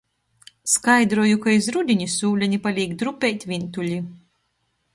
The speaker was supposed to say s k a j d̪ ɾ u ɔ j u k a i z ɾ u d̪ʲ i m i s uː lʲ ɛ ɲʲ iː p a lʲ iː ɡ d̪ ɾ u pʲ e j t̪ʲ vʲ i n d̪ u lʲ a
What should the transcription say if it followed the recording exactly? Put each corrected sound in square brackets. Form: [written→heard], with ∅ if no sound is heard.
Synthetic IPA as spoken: s k a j d̪ ɾ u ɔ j u k a i z ɾ u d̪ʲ i [m→ɲ] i s uː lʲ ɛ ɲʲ [iː→i] p a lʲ iː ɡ d̪ ɾ u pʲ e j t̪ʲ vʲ i n [d̪→t̪] u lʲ [a→i]